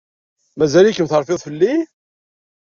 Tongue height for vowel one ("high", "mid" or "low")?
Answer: low